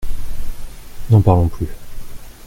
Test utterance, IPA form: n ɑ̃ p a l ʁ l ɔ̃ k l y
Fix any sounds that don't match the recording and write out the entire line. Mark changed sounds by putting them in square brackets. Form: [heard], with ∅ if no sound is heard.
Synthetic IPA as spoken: n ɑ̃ p a [∅] ʁ l ɔ̃ [p] l y

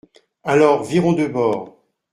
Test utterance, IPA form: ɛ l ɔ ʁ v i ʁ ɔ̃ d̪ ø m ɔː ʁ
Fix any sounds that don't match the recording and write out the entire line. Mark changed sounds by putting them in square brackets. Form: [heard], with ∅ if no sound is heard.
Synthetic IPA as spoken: [a] l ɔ ʁ v i ʁ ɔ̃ d̪ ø [b] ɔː ʁ

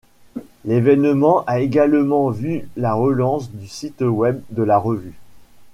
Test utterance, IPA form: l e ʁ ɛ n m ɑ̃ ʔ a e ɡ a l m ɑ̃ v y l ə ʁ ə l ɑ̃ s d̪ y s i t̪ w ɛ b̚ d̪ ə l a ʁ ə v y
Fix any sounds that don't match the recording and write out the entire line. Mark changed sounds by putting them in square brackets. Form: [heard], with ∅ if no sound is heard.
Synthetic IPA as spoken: l e [v] ɛ n m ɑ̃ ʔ a e ɡ a l m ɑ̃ v y l [a] ʁ ə l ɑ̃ s d̪ y s i t̪ w ɛ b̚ d̪ ə l a ʁ ə v y

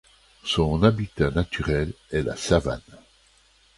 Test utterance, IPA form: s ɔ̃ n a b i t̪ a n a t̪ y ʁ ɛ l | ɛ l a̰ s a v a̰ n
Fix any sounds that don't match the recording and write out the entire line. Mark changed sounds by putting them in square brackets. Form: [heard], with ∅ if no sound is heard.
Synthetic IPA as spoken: s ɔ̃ n a b i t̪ a n a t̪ y ʁ ɛ l | ɛ l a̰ s a v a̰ n

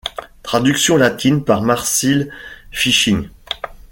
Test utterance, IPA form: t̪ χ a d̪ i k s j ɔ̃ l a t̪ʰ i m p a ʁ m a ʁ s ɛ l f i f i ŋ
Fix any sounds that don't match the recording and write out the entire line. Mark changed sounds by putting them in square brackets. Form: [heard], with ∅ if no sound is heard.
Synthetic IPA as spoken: t̪ χ a d̪ [y] k s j ɔ̃ l a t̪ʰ i [n] p a ʁ m a ʁ s [i] l f i [ʃ] i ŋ

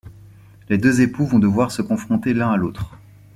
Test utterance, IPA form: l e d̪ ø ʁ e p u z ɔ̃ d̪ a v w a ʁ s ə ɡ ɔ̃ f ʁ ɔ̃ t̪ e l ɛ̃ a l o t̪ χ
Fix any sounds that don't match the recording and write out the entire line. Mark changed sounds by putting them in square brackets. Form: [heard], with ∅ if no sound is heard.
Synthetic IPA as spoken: l e d̪ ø [z] e p u [v] ɔ̃ d̪ [ə] v w a ʁ s ə [k] ɔ̃ f [χ] ɔ̃ t̪ e l ɛ̃ a l o t̪ χ

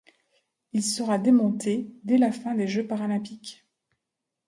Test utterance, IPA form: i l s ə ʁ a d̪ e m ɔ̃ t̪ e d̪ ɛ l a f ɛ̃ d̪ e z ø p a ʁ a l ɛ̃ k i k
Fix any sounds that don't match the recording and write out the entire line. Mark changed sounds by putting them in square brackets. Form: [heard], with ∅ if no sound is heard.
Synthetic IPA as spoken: i l s ə ʁ a d̪ e m ɔ̃ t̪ e d̪ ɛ l a f ɛ̃ d̪ e [ʒ] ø p a ʁ a l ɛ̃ [p] i k

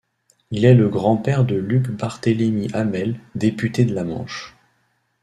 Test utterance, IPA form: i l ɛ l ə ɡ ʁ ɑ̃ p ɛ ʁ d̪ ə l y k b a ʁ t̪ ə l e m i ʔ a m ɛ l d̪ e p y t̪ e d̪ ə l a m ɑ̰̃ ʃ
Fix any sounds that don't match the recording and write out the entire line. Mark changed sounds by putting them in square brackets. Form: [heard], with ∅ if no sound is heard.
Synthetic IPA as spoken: i l ɛ l ə ɡ ʁ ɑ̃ p ɛ ʁ d̪ ə l y k b a ʁ t̪ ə l e m i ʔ a m ɛ l d̪ e p y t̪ e d̪ ə l a m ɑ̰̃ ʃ

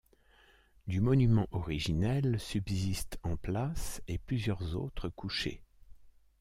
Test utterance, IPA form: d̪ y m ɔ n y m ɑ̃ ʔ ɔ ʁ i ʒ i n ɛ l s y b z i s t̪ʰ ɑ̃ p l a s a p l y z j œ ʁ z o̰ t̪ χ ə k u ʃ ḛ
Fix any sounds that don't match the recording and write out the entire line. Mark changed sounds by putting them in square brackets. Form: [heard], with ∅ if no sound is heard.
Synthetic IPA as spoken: d̪ y m ɔ n y m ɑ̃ ʔ ɔ ʁ i ʒ i n ɛ l s y b z i s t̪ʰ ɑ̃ p l a s [e] p l y z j œ ʁ z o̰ t̪ χ ə k u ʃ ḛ

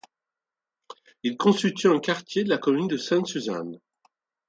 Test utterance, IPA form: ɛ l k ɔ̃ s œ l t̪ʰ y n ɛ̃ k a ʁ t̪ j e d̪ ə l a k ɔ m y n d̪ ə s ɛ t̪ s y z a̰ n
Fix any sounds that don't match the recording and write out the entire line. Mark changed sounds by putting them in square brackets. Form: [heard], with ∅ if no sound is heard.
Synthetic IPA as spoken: [i] l k ɔ̃ s [y] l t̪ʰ y [∅] ɛ̃ k a ʁ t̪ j e d̪ ə l a k ɔ m y n d̪ ə s [ɛ̃] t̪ s y z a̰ n

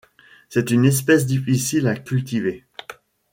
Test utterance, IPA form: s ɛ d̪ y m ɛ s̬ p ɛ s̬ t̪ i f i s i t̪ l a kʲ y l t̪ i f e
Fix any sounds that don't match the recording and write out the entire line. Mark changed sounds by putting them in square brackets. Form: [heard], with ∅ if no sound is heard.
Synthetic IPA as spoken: s ɛ [t̪] y [n] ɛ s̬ p ɛ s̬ [d̪] i f i s i [∅] l a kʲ y l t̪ i [v] e

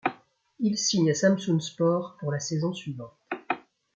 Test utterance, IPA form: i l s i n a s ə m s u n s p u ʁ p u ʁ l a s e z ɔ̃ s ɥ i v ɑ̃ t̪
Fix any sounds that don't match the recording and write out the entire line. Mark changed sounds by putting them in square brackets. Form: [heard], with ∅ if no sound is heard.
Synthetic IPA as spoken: i l s i [ɲ] a s [a] m s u n s p [ɔ] ʁ p u ʁ l a s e z ɔ̃ s ɥ i v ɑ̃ t̪

